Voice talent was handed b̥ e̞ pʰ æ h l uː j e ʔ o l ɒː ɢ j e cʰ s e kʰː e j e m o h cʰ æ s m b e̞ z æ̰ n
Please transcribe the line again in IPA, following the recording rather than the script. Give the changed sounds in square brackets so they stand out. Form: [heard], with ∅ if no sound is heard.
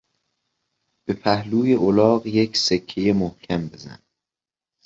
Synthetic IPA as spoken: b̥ e̞ pʰ æ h l uː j e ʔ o l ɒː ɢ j e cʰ s e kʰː e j e m o h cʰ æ [∅] m b e̞ z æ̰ n